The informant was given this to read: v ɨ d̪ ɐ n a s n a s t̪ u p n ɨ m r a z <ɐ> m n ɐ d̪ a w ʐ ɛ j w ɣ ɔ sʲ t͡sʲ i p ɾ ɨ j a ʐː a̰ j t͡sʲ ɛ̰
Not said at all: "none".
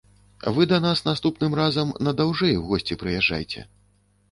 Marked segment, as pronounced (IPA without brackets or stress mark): ɐ